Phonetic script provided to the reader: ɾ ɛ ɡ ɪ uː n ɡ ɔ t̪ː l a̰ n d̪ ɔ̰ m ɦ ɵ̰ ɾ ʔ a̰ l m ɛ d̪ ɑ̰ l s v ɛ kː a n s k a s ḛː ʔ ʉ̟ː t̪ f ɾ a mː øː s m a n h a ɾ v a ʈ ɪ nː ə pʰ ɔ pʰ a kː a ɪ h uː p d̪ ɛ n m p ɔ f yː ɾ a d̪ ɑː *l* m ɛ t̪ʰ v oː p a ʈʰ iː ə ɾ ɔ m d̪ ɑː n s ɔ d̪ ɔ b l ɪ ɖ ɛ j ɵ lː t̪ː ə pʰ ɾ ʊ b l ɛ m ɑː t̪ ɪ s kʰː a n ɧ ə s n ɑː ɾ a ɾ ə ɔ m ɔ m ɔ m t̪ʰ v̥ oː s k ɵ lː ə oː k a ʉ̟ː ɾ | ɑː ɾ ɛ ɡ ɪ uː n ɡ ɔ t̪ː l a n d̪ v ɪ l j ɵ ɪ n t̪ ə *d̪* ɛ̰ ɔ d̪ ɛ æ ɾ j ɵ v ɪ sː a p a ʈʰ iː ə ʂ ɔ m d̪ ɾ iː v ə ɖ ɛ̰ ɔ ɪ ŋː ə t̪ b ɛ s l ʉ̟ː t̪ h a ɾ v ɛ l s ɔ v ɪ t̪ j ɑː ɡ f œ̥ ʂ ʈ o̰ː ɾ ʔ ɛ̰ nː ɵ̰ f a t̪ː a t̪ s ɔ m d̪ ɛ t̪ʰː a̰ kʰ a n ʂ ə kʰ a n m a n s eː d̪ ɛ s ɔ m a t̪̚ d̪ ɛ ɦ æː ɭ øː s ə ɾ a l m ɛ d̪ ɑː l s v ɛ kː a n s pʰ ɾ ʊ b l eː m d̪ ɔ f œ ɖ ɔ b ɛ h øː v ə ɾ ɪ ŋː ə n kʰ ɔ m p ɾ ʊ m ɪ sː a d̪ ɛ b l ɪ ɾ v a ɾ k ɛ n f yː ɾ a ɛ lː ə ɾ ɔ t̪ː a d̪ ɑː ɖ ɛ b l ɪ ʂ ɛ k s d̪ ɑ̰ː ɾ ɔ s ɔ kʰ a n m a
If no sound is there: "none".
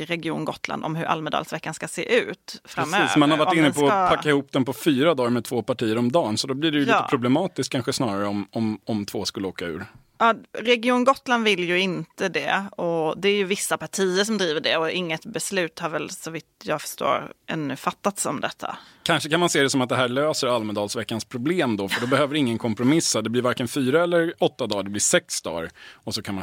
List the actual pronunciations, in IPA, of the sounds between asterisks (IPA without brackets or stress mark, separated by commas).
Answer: ɾ, d̪